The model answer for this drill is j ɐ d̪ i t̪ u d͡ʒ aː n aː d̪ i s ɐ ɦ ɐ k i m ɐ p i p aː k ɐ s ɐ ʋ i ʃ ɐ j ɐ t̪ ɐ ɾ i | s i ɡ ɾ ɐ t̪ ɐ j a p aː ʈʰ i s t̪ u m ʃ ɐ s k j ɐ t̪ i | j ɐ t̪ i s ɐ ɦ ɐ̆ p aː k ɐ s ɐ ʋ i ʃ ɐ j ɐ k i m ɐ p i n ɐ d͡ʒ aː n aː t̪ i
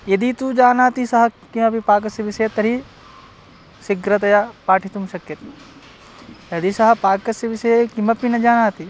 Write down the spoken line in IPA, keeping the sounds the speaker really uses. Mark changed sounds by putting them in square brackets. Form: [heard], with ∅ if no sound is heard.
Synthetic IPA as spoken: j ɐ d̪ i t̪ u d͡ʒ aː n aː [t̪] i s ɐ ɦ ɐ k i m ɐ p i p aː k ɐ s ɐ ʋ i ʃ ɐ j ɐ t̪ ɐ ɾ i | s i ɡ ɾ ɐ t̪ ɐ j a p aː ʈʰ i [∅] t̪ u m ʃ ɐ [∅] k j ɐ t̪ i | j ɐ [d̪] i s ɐ ɦ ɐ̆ p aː k ɐ s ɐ ʋ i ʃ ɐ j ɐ k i m ɐ p i n ɐ d͡ʒ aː n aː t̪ i